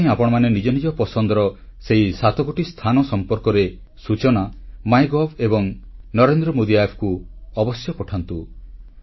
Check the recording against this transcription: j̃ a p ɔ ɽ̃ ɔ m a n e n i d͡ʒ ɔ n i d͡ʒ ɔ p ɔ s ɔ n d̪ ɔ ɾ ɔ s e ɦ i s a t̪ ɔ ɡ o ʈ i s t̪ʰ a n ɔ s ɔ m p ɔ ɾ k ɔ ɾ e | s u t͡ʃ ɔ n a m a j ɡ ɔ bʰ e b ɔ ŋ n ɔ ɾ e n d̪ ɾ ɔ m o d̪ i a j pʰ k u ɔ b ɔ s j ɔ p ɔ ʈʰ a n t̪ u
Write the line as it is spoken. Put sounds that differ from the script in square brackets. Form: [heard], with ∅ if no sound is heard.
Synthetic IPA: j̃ a p ɔ ɽ̃ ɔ m a n e n i d͡ʒ ɔ n i d͡ʒ ɔ p ɔ s ɔ n d̪ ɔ ɾ ɔ s e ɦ i s a t̪ ɔ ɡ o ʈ i s t̪ʰ a n ɔ s ɔ m p ɔ ɾ k ɔ ɾ e | s u t͡ʃ ɔ n a m a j ɡ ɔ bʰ e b ɔ ŋ n ɔ ɾ e n d̪ ɾ ɔ m o d̪ i a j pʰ k u ɔ b ɔ s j ɔ p ɔ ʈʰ a n t̪ u